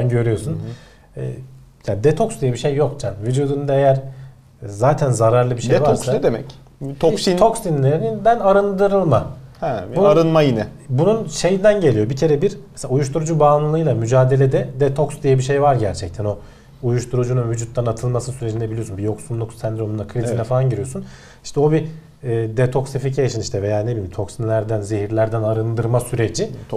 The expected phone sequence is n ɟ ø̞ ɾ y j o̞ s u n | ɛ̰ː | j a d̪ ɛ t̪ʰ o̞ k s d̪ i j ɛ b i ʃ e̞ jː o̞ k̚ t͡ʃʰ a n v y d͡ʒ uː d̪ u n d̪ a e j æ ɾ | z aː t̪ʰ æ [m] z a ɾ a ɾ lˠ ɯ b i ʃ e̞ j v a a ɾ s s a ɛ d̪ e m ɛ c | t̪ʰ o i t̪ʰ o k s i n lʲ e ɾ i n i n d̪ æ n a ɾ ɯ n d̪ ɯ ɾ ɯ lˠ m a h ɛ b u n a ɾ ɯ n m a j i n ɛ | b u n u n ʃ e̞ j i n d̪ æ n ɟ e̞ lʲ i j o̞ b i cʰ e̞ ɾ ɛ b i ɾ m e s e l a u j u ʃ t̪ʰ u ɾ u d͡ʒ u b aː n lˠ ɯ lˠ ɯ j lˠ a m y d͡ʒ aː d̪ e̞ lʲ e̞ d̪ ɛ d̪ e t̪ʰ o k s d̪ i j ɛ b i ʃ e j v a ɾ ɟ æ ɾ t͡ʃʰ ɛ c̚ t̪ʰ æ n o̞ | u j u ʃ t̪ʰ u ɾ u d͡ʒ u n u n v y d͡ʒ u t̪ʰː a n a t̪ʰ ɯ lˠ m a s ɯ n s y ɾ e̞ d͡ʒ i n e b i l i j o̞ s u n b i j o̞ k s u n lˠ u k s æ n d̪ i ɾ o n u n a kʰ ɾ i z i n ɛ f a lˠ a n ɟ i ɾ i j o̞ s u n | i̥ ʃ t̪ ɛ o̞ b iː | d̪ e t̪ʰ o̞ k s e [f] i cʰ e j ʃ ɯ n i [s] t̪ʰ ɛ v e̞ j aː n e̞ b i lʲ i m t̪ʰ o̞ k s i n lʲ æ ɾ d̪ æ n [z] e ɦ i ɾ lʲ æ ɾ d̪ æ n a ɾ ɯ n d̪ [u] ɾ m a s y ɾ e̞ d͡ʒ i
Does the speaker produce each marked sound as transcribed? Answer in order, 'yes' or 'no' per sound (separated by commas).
no, yes, no, yes, no